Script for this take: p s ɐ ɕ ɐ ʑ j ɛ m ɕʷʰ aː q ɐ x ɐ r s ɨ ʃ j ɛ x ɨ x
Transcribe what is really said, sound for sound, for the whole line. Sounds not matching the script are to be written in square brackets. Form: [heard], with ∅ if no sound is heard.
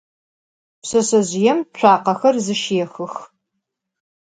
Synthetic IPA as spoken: p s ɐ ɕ ɐ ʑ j ɛ m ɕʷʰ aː q ɐ x ɐ r [z] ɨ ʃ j ɛ x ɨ x